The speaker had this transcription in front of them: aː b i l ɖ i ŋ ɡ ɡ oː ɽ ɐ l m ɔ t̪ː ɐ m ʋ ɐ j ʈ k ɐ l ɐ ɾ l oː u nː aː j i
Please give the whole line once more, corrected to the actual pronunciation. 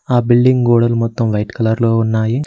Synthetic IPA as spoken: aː b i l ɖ i ŋ ɡ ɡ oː ɽ ɐ l m ɔ t̪ː ɐ m ʋ ɐ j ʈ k ɐ l ɐ ɾ l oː u nː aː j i